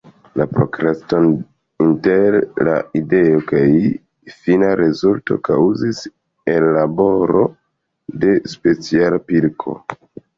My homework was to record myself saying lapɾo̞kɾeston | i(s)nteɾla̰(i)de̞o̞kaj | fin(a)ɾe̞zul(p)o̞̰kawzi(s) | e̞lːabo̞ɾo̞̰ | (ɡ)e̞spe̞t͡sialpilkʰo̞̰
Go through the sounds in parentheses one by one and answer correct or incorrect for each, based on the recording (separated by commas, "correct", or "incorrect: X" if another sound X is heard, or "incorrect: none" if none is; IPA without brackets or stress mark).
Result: incorrect: none, correct, correct, incorrect: t, correct, incorrect: d